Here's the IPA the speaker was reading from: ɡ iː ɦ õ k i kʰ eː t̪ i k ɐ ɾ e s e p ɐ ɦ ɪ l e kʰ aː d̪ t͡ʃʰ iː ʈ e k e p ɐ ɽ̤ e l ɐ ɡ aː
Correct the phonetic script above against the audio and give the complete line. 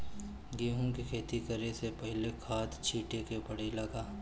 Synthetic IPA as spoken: ɡ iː ɦ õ k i kʰ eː t̪ i k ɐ ɾ e s e p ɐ ɦ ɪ l e kʰ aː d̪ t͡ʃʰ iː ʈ e k e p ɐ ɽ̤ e l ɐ ɡ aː